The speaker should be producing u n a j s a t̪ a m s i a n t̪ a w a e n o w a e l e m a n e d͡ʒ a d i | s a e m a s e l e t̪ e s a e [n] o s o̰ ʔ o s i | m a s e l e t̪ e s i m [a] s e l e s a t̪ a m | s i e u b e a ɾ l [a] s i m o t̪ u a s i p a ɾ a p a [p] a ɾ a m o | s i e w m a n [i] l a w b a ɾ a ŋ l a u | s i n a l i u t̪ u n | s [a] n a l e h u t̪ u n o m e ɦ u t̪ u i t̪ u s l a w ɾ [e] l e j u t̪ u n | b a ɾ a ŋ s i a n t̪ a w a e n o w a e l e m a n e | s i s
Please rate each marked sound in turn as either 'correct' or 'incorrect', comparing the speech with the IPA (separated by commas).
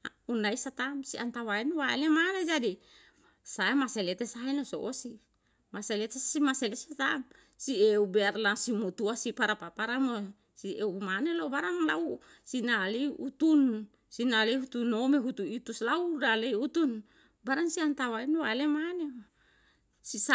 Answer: correct, correct, correct, correct, incorrect, incorrect, incorrect